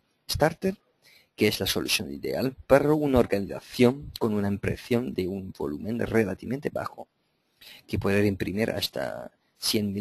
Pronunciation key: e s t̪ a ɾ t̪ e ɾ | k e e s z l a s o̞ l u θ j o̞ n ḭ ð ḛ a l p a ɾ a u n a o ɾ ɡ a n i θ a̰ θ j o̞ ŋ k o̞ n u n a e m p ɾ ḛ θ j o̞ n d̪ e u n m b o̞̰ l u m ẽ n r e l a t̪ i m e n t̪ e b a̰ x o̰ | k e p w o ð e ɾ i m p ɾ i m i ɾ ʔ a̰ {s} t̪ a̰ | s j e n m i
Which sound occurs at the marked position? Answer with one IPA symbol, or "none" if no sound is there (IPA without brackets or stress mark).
s